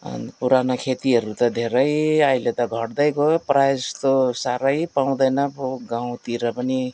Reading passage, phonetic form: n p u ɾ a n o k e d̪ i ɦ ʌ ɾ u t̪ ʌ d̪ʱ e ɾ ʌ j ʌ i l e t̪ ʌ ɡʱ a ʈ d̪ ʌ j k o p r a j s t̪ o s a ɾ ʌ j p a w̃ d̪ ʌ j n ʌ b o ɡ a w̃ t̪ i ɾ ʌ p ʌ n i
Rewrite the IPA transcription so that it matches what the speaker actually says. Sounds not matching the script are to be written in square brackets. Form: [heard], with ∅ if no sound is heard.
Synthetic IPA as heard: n p u ɾ a n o [kʰ] e [t̪] i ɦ ʌ ɾ u t̪ ʌ d̪ʱ e ɾ ʌ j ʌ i l e t̪ ʌ ɡʱ [ʌ] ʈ d̪ ʌ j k o p r a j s t̪ o s a ɾ ʌ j p a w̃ d̪ ʌ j n ʌ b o ɡ a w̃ t̪ i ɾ ʌ p ʌ n i